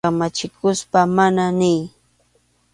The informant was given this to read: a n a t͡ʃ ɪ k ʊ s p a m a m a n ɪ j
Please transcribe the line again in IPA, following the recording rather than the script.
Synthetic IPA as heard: a m a t͡ʃ ɪ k ʊ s p a m a n a n ɪ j